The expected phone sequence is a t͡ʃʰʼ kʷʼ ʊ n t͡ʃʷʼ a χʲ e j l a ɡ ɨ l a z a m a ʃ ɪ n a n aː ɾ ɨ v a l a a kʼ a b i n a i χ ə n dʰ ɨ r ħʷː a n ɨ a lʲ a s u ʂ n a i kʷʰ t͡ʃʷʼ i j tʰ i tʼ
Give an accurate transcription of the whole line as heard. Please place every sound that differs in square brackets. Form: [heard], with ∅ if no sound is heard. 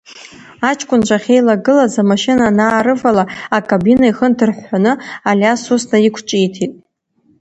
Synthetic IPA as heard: a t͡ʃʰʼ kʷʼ ʊ n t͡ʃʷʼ a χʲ e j l a ɡ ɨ l a z a m a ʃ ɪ n a n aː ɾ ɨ v a l a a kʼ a b i n a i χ ə n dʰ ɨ r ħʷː a n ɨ a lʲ a s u [s] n a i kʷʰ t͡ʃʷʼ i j tʰ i tʼ

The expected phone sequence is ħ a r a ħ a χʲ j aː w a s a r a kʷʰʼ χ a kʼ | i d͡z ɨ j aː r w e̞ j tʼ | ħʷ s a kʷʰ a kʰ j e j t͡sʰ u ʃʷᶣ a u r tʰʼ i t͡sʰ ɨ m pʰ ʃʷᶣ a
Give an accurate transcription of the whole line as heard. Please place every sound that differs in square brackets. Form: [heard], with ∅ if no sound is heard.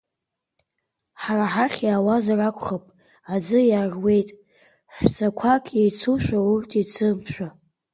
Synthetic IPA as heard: ħ a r a ħ a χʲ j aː w a [z] a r a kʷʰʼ χ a [pʼ] | [a] d͡z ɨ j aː r w e̞ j tʼ | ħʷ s a kʷʰ a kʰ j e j t͡sʰ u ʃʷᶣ a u r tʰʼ i t͡sʰ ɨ m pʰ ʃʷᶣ a

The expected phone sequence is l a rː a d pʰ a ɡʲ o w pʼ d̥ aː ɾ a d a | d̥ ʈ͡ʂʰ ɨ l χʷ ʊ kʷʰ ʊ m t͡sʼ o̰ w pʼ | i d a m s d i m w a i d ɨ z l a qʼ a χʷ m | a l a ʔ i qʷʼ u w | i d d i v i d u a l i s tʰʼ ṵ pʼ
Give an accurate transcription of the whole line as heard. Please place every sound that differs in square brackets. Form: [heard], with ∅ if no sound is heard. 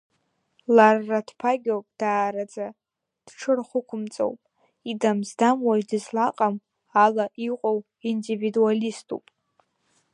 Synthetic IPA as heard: l a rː a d pʰ a ɡʲ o w pʼ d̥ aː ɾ a [d͡z] a | d̥ ʈ͡ʂʰ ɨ [r] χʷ ʊ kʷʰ ʊ m t͡sʼ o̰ w pʼ | i d a m [z] d [a] m w a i d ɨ z l a qʼ a [∅] m | a l a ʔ i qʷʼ [o] w | i [n] d i v i d u a l i s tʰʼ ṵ pʼ

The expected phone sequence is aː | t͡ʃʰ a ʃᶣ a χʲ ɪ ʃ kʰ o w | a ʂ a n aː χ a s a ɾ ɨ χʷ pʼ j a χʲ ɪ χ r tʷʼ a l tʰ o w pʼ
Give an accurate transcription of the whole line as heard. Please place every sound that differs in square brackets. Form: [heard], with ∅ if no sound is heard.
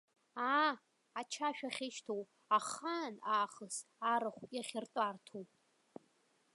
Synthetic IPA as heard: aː | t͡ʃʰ a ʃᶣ a χʲ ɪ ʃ [tʰ] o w | a [χ] a n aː χ [ə] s a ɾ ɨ χʷ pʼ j a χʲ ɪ [∅] r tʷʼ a [r] tʰ o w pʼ

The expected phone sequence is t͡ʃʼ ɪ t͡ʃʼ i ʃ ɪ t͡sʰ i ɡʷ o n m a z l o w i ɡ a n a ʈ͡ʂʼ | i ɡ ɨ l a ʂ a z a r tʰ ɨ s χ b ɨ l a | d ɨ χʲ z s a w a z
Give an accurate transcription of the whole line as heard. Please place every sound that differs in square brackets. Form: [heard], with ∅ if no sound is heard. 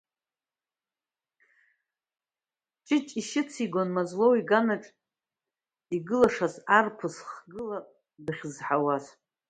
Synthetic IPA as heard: t͡ʃʼ ɪ t͡ʃʼ i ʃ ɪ t͡sʰ i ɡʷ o n m a z l o w i ɡ a n a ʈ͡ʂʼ | i ɡ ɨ l a ʂ a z a r [pʰ] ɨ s χ [ɡ] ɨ l a | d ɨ χʲ z [ħ] a w a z

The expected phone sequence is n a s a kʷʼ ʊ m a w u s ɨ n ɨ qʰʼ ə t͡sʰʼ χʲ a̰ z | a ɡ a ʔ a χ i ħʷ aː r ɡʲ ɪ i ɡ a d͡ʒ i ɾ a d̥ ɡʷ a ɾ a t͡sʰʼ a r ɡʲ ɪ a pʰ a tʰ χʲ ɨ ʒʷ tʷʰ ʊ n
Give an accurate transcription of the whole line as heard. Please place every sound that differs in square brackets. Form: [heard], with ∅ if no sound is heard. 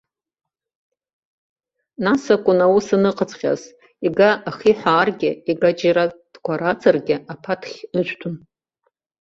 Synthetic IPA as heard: n a s a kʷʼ ʊ [n] a w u s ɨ n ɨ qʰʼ ə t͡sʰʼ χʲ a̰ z | [i] ɡ a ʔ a χ i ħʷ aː r ɡʲ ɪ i ɡ a d͡ʒ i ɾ a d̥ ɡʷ a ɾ a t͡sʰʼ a r ɡʲ ɪ a pʰ a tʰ χʲ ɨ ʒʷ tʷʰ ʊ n

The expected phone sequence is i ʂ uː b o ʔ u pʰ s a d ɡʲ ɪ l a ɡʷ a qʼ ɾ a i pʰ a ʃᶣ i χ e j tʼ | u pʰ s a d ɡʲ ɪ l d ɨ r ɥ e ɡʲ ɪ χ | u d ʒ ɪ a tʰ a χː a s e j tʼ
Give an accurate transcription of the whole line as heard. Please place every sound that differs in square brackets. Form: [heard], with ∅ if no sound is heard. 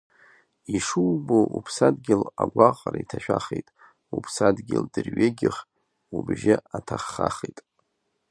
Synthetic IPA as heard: i ʂ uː b o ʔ u pʰ s a d ɡʲ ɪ l a ɡʷ a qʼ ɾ a i [tʰ] a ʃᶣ [a] χ e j tʼ | u pʰ s a d ɡʲ ɪ l d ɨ r ɥ e ɡʲ ɪ χ | u [b] ʒ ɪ a tʰ a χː a [χ] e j tʼ

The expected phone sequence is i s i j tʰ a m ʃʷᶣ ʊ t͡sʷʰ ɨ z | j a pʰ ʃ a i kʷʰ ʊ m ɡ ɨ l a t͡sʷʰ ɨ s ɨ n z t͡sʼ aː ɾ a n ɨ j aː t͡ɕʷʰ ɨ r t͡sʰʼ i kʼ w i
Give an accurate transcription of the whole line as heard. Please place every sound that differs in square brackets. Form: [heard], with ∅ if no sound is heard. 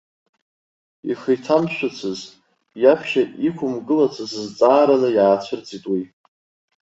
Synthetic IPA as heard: i [χ] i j tʰ a m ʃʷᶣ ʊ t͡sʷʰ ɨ z | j a pʰ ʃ a i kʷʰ ʊ m ɡ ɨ l a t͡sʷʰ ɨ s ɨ [∅] z t͡sʼ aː ɾ a n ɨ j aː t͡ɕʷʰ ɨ r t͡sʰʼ i [tʼ] w i

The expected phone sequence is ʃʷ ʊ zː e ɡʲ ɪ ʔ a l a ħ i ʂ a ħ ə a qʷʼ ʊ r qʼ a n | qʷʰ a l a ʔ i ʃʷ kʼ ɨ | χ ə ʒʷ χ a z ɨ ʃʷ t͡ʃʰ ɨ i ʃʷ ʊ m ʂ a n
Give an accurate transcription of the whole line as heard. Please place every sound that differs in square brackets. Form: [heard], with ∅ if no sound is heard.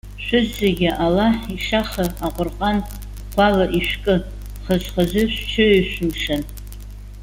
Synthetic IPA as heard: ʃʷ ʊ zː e ɡʲ ɪ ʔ a l a ħ i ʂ a [χ] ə a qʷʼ ʊ r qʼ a n | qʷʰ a l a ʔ i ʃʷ kʼ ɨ | χ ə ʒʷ χ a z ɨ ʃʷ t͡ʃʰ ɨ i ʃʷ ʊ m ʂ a n

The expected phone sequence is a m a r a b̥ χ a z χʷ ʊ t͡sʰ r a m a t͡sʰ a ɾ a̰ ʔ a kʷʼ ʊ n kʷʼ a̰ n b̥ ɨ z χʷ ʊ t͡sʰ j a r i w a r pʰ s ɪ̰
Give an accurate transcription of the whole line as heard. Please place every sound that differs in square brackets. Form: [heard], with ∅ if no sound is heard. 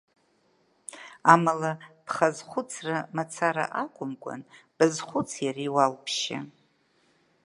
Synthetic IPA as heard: a m a [l] a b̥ χ a z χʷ ʊ t͡sʰ r a m a t͡sʰ a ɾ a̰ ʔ a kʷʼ ʊ [m] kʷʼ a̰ n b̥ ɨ z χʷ ʊ t͡sʰ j a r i w a [l] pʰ [ʃ] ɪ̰

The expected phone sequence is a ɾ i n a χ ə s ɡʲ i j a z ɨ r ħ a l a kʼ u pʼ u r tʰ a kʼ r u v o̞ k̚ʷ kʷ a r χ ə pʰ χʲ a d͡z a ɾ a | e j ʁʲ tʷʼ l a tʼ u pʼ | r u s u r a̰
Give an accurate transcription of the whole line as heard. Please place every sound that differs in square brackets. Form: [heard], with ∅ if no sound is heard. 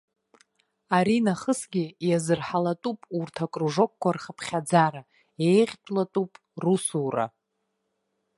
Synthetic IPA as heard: a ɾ i n a χ ə s ɡʲ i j a z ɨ r ħ a l a [tʼ] u pʼ u r tʰ a kʼ r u [ʐ] o̞ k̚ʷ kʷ a r χ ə pʰ χʲ a d͡z a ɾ a | e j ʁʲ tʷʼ l a tʼ u pʼ | r u s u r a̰

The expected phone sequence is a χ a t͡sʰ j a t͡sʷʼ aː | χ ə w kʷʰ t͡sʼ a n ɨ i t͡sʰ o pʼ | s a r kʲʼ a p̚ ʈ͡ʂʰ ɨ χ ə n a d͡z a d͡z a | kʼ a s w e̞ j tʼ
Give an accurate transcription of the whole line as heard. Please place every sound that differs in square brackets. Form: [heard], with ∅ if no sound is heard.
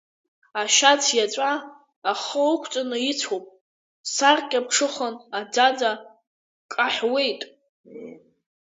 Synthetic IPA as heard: a [ʃ] a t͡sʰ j a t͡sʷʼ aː | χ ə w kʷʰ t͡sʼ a n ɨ i t͡sʰ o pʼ | s a r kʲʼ a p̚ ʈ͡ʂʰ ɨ χ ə n a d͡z a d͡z a | kʼ a [ħ] w e̞ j tʼ

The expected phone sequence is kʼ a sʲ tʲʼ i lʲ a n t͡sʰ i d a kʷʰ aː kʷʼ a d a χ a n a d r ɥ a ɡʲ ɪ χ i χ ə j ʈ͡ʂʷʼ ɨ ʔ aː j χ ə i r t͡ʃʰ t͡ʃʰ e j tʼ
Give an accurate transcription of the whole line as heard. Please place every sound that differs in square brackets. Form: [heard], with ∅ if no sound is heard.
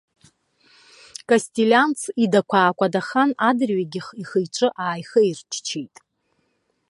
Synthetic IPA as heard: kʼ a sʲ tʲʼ i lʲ a n t͡sʰ i d a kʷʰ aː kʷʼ a d a χ a n a d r ɥ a ɡʲ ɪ χ i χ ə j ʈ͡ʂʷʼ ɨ ʔ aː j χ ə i r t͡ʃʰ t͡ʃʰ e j tʼ

